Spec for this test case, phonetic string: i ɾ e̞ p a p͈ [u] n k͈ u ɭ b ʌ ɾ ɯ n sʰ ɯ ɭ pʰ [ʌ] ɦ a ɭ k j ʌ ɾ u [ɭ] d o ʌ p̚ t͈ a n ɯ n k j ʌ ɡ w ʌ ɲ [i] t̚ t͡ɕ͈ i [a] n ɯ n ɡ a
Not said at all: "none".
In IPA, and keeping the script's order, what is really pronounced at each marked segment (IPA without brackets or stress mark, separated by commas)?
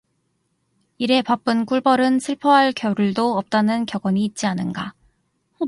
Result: ɯ, ʌ, ɭ, iː, a